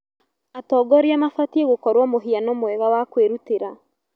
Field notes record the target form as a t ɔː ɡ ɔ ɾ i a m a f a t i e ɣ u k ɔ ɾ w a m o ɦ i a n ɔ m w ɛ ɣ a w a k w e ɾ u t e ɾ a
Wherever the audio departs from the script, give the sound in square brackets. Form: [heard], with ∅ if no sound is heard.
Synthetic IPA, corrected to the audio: a t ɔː ɡ ɔ ɾ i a m a f a t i e ɣ [o] k ɔ ɾ w a m o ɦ i a n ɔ m w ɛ ɣ a w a k w e ɾ u t e ɾ a